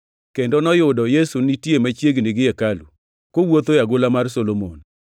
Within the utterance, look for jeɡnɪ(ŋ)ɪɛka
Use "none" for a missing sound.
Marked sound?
ɡ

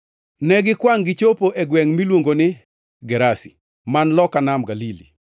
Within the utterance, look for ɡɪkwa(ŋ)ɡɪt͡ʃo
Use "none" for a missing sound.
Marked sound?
ŋ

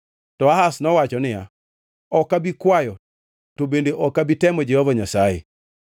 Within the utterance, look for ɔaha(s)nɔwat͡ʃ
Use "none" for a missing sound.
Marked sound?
s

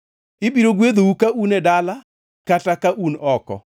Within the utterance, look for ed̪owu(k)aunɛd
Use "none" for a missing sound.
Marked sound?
k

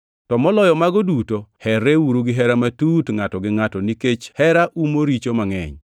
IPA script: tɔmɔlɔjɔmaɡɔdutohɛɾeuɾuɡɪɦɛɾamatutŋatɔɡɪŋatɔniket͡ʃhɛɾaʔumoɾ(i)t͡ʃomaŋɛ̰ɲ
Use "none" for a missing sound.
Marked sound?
i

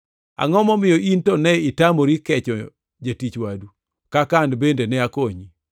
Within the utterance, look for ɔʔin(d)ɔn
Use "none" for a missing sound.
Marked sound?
t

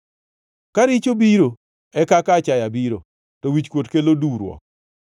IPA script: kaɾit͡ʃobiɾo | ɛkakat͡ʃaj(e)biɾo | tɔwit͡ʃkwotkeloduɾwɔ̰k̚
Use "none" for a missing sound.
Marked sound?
a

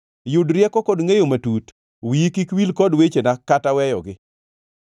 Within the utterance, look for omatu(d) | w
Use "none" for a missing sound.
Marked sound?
t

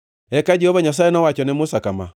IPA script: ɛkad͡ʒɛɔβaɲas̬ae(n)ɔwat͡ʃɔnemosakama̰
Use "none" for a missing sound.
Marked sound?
n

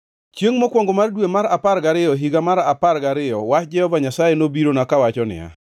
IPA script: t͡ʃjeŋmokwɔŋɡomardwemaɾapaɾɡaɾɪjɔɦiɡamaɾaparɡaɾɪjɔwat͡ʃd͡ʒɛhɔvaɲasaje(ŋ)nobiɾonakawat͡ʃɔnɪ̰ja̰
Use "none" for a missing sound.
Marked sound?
none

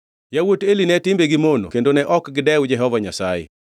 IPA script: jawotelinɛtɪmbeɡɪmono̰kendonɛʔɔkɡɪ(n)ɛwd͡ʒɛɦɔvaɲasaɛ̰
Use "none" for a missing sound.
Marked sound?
d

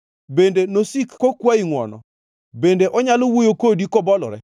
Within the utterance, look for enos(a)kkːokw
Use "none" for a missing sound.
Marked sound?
i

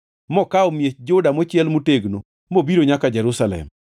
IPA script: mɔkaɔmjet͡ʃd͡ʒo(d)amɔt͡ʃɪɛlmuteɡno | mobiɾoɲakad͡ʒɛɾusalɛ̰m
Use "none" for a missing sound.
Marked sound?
d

